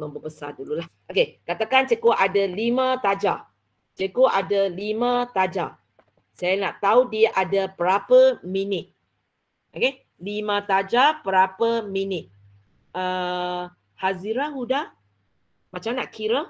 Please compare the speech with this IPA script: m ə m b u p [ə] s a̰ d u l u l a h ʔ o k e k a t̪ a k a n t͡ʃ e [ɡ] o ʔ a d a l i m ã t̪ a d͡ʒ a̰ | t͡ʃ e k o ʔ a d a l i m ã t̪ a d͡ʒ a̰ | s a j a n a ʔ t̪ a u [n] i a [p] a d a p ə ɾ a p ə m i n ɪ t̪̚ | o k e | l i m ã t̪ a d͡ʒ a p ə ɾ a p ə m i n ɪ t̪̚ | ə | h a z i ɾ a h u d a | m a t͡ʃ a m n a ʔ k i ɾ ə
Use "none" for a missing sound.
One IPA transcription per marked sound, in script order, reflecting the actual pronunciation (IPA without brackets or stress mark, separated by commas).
ə, k, d, ʔ